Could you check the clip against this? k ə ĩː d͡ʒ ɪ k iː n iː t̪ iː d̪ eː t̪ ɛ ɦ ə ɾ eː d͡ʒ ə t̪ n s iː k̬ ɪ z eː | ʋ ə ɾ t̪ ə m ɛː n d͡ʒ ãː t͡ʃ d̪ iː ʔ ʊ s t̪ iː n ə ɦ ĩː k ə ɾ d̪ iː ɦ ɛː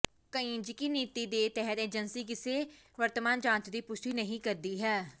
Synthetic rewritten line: k ə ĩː d͡ʒ ɪ k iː n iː t̪ iː d̪ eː t̪ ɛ ɦ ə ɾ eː d͡ʒ ə n s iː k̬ ɪ s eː | ʋ ə ɾ t̪ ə m aː n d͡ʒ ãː t͡ʃ d̪ iː p ʊ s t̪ iː n ə ɦ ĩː k ə ɾ d̪ iː ɦ ɛː